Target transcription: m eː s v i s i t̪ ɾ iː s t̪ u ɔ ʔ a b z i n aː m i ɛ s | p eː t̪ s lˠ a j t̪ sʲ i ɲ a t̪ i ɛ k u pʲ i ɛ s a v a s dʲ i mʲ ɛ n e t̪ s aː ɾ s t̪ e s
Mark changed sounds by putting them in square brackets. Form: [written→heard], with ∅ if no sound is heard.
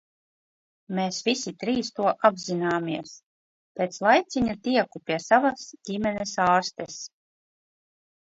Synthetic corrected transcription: m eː s v i s i t̪ ɾ iː s t̪ u ɔ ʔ a b z i n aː m i ɛ s | p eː t̪ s lˠ a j t̪ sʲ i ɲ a t̪ i ɛ k u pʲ i ɛ s a v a s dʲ i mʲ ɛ n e [t̪→∅] s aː ɾ s t̪ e s